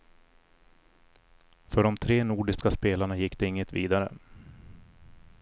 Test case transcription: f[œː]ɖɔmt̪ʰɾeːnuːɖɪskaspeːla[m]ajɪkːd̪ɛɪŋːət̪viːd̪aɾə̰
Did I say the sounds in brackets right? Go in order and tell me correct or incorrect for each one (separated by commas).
incorrect, incorrect